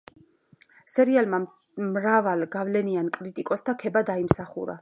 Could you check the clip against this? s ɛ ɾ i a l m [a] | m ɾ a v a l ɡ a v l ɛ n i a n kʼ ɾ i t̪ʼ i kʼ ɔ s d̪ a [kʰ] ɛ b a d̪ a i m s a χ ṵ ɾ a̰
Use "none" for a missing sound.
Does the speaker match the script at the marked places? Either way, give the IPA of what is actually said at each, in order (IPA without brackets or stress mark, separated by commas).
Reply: a, kʰ